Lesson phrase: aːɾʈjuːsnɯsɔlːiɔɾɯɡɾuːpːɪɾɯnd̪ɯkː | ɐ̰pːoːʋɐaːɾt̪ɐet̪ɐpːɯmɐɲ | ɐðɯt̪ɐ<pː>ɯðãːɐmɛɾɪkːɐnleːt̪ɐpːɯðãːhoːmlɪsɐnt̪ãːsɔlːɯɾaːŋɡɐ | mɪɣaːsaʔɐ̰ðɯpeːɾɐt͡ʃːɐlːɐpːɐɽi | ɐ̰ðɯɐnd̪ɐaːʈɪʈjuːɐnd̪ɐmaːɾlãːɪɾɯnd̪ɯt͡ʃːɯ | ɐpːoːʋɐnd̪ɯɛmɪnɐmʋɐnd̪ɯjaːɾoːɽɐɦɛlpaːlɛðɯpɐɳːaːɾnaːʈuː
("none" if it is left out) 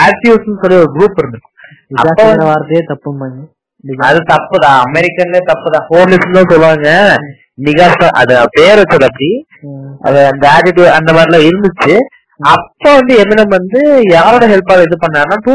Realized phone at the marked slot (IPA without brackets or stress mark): pː